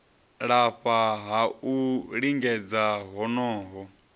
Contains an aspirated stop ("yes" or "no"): no